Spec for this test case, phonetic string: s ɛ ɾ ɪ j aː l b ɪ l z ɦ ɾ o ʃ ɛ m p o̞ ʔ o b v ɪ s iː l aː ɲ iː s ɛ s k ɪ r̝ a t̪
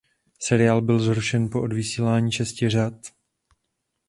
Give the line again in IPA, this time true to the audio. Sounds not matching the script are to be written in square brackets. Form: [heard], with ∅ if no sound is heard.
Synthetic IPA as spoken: s ɛ ɾ ɪ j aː l b ɪ l z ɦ ɾ [u] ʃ ɛ [n] p o̞ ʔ o [d] v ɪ s iː l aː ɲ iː [ʃ] ɛ s [c] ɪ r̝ a t̪